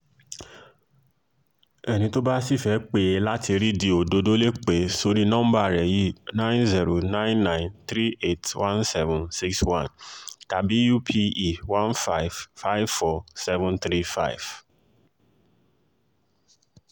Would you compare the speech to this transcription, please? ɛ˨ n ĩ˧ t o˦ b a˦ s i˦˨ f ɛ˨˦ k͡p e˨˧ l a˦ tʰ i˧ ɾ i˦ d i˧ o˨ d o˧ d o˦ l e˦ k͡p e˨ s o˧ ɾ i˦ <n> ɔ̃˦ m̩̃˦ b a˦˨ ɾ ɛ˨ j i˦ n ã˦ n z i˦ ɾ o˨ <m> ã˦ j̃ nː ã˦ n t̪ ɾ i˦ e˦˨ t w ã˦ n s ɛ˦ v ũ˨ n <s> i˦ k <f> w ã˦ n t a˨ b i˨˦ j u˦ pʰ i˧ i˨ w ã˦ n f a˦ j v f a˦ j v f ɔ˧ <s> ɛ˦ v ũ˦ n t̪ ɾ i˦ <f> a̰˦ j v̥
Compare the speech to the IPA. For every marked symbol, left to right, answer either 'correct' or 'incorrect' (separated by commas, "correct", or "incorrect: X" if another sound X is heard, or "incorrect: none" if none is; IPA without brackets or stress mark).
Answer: correct, incorrect: n, correct, incorrect: s, correct, correct